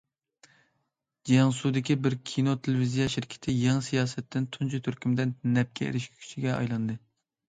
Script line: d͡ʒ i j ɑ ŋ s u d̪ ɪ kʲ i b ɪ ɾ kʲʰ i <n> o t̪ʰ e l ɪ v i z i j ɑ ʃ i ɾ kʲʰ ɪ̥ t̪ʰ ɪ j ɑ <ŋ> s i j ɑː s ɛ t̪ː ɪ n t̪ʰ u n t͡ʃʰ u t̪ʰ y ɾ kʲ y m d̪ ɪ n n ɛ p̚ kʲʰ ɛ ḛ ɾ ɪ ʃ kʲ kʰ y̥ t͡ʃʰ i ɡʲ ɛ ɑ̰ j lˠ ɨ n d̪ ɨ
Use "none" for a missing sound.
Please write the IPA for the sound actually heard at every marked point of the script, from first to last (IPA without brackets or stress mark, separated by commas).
n, ŋ